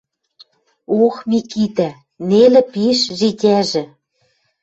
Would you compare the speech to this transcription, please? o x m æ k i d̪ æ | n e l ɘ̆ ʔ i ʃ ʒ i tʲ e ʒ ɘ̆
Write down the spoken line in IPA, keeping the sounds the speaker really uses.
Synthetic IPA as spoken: o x m i k i t̪ æ | n e l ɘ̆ p i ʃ ʒ i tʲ æ ʒ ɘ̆